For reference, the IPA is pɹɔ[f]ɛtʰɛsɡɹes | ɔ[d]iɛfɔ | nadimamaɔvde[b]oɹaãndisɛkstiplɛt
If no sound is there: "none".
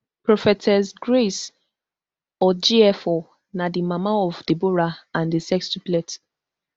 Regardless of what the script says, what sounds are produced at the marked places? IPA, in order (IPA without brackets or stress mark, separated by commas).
f, d͡ʒ, b